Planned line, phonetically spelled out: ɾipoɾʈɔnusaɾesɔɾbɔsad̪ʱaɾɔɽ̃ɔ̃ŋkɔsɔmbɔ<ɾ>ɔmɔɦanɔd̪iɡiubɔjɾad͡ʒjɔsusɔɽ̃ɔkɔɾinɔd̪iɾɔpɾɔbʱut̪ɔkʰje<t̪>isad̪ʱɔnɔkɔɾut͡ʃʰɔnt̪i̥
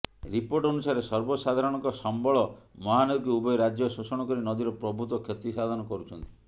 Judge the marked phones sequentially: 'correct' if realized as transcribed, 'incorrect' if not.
incorrect: ɭ, correct

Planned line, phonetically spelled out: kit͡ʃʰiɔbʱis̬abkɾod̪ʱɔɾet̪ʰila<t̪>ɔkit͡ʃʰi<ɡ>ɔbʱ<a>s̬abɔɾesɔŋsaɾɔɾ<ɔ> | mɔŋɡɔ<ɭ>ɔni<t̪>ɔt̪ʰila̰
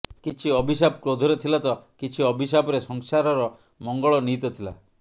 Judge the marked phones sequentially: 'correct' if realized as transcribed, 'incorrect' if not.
correct, incorrect: none, incorrect: i, correct, correct, correct

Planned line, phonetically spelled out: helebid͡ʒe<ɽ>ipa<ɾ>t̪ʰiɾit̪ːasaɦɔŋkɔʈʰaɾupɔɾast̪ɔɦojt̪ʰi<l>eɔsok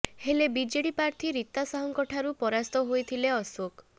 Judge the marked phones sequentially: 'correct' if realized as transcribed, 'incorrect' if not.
correct, correct, correct

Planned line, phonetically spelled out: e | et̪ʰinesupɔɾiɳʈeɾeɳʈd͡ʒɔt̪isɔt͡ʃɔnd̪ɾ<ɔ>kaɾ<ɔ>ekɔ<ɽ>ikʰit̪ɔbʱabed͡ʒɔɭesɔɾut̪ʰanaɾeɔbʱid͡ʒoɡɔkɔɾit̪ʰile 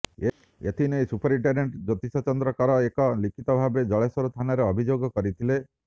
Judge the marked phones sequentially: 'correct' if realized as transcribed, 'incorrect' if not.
correct, correct, incorrect: l

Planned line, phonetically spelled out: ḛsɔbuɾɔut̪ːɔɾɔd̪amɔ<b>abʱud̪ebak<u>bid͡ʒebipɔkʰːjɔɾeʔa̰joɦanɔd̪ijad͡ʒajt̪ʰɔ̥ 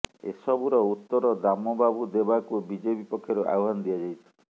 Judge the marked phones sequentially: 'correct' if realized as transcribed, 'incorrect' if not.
correct, correct

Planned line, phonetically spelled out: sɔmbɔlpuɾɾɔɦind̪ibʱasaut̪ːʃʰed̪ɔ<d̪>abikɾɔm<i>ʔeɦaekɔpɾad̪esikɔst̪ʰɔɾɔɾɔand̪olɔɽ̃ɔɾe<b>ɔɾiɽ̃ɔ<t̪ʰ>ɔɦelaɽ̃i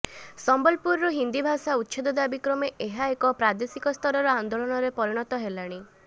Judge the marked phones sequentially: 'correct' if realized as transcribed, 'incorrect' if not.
correct, incorrect: e, incorrect: p, incorrect: t̪

